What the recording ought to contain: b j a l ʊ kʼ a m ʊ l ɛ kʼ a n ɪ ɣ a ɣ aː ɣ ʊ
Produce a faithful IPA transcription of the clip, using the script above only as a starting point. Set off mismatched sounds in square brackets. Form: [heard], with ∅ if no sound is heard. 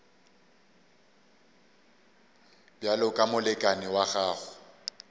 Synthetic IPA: b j a l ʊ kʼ a m ʊ l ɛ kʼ a n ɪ [w] a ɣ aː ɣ ʊ